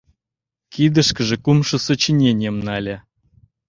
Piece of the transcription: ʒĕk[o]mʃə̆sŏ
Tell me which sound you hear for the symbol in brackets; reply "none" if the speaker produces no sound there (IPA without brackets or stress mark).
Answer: u